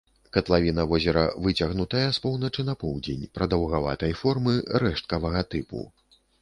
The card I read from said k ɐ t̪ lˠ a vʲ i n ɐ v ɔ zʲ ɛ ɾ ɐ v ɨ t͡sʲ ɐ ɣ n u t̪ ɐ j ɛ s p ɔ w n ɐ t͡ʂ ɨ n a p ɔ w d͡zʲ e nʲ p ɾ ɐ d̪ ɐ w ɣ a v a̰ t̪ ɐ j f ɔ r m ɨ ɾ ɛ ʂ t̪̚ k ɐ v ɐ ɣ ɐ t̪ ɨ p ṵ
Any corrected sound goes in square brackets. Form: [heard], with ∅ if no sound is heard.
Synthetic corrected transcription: k ɐ t̪ lˠ a vʲ i n ɐ v ɔ zʲ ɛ ɾ ɐ v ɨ t͡sʲ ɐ ɣ n u t̪ ɐ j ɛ s p ɔ w n ɐ t͡ʂ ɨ n [ɐ] p ɔ w d͡zʲ e nʲ p ɾ ɐ d̪ ɐ w ɣ a v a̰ t̪ ɐ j f ɔ r m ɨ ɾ ɛ ʂ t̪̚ k ɐ v ɐ ɣ ɐ t̪ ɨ p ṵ